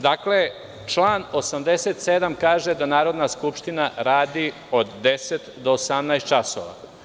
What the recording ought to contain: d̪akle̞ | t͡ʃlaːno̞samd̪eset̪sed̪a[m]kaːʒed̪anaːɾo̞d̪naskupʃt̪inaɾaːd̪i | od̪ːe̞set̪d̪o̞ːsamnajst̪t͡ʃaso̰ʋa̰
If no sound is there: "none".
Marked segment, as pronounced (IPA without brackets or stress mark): m